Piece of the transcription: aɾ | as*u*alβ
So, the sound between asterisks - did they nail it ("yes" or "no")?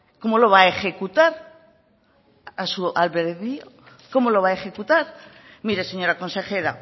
yes